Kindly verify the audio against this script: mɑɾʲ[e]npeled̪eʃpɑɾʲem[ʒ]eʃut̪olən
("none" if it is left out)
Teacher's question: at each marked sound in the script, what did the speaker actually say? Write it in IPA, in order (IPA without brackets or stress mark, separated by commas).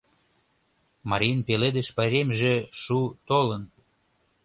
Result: i, ʒ